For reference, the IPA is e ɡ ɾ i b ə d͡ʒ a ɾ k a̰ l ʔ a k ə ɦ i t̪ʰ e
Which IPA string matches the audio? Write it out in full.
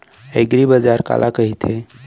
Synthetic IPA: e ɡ ɾ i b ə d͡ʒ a ɾ k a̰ l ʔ a k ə ɦ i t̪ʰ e